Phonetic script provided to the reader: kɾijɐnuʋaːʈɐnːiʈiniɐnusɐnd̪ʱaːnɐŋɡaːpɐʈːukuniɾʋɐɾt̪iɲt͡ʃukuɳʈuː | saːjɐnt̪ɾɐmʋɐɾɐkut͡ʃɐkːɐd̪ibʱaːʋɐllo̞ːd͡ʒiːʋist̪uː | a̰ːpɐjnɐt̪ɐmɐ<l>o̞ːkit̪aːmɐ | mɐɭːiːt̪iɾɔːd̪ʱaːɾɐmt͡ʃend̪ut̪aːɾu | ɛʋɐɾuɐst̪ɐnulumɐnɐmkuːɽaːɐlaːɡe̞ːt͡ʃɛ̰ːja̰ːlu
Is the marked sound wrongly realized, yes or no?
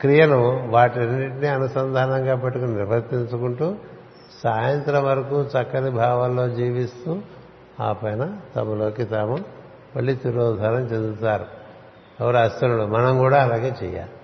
no